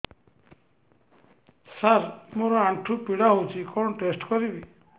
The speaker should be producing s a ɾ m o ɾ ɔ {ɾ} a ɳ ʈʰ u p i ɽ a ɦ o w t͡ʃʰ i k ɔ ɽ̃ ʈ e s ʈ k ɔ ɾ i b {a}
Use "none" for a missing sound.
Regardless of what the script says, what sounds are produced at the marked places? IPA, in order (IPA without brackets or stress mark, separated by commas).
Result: none, i